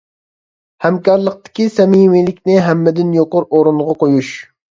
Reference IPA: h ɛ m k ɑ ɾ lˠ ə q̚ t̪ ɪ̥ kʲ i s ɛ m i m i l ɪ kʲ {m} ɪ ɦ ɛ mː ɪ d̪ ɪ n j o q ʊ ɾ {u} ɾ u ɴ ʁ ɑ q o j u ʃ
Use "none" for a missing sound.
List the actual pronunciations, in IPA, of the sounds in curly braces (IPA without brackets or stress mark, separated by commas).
n, o